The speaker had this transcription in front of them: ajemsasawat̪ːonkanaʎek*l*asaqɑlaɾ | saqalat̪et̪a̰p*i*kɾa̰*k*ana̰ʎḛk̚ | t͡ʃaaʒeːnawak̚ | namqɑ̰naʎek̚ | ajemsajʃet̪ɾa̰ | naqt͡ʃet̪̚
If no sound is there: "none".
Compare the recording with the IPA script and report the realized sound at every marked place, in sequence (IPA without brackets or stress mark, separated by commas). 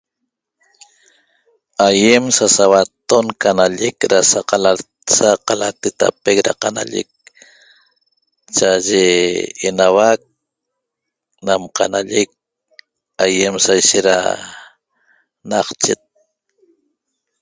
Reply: ɾ, e, q